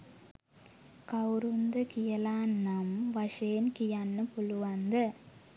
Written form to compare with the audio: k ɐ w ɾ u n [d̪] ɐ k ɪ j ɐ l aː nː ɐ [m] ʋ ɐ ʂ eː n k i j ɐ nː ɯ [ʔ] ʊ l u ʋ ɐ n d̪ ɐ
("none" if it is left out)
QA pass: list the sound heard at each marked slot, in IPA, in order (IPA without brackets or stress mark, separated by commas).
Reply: d̪, m, p